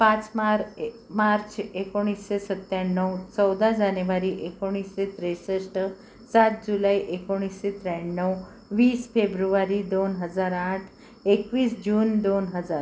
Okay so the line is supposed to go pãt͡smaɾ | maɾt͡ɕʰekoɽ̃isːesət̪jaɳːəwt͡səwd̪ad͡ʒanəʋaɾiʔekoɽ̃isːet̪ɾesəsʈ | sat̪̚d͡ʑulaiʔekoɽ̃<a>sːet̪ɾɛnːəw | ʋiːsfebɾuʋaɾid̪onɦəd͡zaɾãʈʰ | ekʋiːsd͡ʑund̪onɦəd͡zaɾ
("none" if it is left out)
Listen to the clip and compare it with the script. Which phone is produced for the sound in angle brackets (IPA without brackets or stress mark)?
i